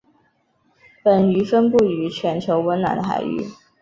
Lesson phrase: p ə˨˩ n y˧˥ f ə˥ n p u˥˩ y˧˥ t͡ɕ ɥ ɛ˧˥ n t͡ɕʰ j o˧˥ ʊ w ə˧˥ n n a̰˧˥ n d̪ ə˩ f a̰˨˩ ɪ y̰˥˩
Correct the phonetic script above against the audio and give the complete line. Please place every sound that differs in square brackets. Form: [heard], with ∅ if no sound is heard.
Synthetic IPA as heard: p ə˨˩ n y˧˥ f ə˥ n p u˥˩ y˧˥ [t͡ɕʰ] ɥ ɛ˧˥ n t͡ɕʰ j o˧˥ ʊ w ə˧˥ n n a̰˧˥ n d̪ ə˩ [x] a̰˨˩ ɪ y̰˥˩